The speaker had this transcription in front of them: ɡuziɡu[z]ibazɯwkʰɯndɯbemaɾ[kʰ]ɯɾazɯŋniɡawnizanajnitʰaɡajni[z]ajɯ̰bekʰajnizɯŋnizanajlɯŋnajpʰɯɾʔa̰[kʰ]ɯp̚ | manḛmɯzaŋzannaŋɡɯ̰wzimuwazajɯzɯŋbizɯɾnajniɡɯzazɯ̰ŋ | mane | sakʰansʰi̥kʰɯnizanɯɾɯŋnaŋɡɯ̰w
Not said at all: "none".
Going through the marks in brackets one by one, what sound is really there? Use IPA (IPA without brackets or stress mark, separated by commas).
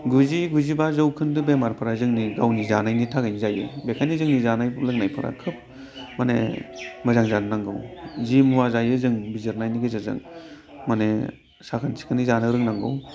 z, pʰ, z, kʰ